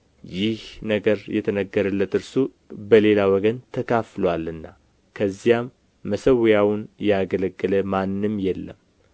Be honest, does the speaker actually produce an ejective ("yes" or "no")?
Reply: no